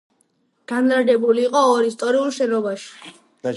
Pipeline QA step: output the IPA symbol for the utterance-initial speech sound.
ɡ̥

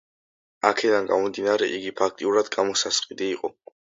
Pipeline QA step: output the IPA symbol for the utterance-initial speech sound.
a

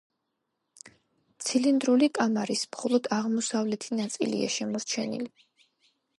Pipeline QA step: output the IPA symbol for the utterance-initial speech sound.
t̪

